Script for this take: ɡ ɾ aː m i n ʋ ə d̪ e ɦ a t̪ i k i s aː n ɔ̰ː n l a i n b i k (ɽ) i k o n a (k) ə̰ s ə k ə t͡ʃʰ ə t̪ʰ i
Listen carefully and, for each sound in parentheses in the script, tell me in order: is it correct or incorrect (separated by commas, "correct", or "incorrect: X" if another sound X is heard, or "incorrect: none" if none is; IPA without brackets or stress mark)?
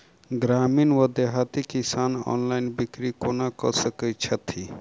incorrect: ɾ, correct